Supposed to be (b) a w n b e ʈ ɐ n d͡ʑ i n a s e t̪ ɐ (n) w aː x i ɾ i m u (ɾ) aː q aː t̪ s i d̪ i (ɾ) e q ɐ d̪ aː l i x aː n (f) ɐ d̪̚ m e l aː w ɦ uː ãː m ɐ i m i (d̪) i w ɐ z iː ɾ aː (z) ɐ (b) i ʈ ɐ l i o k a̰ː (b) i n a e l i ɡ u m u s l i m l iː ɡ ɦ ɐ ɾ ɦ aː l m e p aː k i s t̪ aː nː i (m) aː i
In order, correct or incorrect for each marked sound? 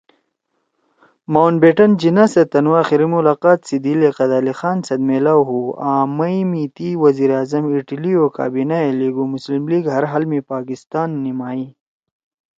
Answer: incorrect: m, correct, incorrect: l, incorrect: l, incorrect: s, incorrect: t̪, correct, incorrect: m, correct, correct

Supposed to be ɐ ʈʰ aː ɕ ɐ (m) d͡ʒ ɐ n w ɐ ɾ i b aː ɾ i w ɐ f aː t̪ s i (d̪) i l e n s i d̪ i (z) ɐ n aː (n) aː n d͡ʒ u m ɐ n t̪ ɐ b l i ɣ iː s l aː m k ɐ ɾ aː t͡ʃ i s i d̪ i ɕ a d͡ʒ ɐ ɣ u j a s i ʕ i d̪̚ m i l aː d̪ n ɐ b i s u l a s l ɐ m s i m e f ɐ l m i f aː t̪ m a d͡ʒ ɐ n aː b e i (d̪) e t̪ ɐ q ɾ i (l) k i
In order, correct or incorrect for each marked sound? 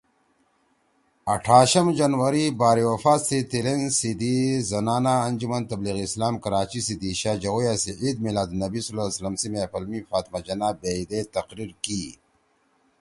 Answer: correct, incorrect: t̪, correct, correct, correct, incorrect: ɾ

